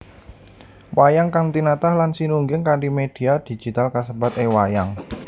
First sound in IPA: w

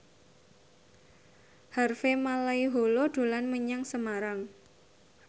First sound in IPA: h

